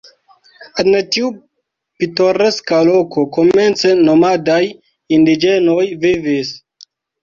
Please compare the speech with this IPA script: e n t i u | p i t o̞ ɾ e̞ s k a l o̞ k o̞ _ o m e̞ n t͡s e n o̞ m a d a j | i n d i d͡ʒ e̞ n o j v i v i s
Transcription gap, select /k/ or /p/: k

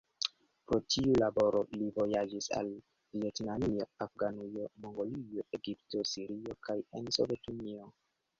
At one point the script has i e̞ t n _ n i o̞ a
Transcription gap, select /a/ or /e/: a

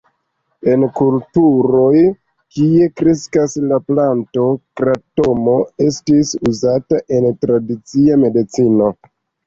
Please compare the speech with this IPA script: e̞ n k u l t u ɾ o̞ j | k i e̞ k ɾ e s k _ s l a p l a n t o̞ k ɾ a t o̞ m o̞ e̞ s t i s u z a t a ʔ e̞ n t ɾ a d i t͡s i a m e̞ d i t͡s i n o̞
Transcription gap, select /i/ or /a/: a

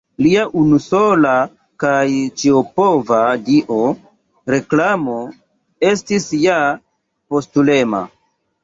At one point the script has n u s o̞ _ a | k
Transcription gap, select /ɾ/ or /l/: l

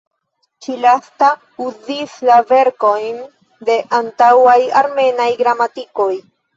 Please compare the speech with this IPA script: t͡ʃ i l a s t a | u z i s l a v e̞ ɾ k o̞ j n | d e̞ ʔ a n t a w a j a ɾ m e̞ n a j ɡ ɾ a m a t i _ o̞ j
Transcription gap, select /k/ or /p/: k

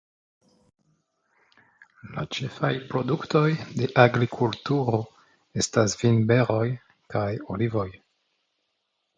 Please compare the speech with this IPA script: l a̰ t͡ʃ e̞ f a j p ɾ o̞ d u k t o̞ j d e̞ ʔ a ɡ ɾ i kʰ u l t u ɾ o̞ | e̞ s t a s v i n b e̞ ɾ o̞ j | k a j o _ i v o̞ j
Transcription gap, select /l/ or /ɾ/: l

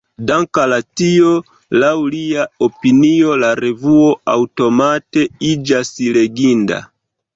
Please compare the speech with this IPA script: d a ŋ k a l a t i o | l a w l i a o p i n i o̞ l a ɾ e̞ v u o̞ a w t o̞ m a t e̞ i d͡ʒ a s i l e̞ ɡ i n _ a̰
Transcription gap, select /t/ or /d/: d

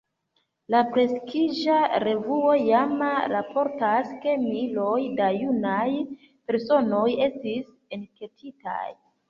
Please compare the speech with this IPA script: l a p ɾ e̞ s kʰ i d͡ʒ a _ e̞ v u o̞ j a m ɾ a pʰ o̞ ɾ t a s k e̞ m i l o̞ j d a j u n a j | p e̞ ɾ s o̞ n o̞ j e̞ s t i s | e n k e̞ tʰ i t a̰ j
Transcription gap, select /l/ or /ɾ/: ɾ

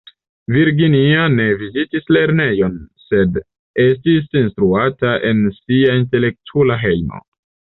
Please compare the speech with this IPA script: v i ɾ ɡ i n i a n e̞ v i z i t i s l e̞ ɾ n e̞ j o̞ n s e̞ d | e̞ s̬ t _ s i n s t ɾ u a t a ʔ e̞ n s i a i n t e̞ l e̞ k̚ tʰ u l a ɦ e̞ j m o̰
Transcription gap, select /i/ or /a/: i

